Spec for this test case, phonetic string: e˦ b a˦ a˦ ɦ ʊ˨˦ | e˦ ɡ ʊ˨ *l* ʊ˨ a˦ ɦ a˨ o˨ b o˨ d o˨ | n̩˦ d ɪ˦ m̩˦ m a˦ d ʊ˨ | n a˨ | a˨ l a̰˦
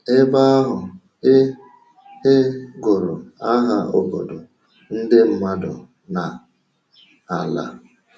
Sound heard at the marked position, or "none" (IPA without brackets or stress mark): ɾ